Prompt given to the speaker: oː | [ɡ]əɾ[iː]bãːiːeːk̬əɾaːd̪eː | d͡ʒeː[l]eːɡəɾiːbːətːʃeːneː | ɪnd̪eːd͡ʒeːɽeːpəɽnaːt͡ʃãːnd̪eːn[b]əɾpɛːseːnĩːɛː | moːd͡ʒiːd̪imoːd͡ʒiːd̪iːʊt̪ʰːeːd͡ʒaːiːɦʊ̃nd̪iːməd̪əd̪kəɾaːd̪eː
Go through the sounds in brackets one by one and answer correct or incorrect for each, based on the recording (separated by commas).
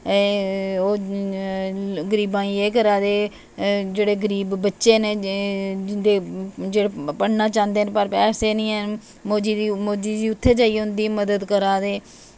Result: correct, correct, incorrect, incorrect